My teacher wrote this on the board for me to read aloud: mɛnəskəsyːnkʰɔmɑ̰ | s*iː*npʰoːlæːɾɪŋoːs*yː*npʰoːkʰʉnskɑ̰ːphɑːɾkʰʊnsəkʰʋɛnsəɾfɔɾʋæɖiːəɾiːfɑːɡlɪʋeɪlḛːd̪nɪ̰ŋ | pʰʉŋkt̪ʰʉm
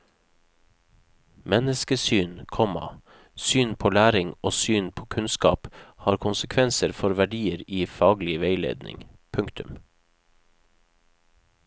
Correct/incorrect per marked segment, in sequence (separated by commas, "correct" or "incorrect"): incorrect, correct